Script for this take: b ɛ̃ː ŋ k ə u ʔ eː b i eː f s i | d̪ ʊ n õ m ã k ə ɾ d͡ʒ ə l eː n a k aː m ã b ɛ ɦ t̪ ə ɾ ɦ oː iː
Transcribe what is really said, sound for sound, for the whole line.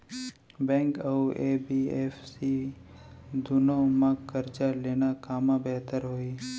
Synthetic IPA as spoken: b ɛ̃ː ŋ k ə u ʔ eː b i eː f s i | d̪ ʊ n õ m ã k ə ɾ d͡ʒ a l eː n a k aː m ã b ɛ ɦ t̪ ə ɾ ɦ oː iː